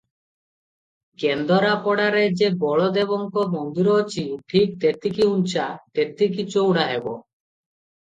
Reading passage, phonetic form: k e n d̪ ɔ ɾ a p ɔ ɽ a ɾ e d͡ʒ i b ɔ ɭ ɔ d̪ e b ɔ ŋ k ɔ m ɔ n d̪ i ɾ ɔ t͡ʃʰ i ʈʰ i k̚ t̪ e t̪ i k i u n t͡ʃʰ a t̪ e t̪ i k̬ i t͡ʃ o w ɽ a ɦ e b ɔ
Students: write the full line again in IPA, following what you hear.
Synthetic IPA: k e n d̪ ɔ ɾ a p ɔ ɽ a ɾ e d͡ʒ e b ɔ ɭ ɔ d̪ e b ɔ ŋ k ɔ m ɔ n d̪ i ɾ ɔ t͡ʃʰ i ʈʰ i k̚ t̪ e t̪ i k i u n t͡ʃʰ a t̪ e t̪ i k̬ i t͡ʃ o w ɽ a ɦ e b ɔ

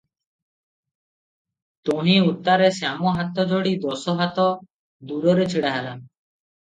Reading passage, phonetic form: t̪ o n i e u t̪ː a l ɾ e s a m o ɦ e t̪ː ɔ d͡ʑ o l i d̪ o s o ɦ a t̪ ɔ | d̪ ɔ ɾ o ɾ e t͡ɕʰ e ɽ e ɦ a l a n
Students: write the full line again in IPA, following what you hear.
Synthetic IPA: t̪ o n i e u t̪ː a ɾ e s a m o ɦ a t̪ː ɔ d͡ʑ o ɽ i d̪ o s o ɦ a t̪ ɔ | d̪ u ɾ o ɾ e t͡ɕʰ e ɽ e ɦ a l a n

